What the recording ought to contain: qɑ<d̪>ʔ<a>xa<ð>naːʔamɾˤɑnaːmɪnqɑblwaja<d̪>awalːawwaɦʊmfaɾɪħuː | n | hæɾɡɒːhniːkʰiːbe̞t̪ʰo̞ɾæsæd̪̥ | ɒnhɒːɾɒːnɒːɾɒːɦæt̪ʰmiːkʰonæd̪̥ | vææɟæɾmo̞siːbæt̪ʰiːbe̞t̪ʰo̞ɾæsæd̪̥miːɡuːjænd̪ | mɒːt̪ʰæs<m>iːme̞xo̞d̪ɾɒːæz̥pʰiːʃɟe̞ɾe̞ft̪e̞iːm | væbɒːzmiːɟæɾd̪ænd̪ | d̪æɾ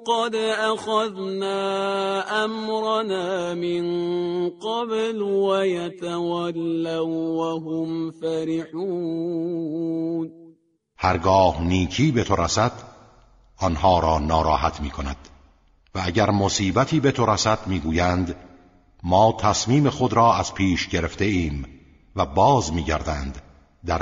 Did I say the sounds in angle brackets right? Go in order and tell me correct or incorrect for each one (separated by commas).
correct, correct, correct, incorrect, correct